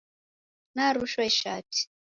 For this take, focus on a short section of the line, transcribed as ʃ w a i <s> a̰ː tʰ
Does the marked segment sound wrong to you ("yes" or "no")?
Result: yes